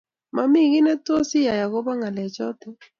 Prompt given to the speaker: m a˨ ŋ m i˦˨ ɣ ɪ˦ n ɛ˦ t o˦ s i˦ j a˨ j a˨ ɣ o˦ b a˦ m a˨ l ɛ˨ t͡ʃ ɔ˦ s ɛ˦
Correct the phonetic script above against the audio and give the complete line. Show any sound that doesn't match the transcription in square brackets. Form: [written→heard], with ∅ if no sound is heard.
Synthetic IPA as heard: m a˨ [ŋ→∅] m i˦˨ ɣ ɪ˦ n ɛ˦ t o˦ s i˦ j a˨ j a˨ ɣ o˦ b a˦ [m→ŋ] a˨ l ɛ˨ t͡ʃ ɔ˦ [s→t] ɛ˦